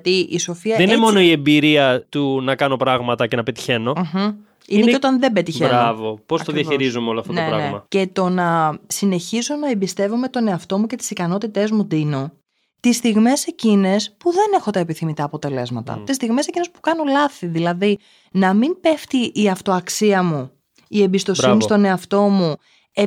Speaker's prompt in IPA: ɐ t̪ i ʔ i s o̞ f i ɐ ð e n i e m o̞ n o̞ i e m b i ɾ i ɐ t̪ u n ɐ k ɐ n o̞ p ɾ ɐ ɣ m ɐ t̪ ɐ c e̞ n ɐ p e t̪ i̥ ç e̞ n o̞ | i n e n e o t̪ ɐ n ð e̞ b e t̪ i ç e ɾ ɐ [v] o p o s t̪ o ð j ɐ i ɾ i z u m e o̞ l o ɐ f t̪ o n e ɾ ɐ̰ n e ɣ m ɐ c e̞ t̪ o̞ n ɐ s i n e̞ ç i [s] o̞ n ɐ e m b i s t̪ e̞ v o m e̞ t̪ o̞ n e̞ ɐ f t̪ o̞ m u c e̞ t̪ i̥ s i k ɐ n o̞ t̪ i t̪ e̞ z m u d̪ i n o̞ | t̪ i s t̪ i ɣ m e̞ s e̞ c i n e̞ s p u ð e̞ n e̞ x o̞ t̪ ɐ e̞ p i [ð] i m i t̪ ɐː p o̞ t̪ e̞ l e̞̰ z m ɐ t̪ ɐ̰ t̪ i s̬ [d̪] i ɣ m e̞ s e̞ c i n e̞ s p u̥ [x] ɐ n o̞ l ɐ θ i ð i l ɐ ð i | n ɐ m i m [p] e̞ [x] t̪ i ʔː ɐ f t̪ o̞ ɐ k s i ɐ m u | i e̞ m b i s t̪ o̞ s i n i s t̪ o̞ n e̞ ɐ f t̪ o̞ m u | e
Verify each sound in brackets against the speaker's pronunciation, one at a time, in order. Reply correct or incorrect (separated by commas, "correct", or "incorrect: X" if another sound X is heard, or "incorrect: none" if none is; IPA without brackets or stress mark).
correct, incorrect: z, incorrect: θ, incorrect: t̪, incorrect: k, correct, incorrect: f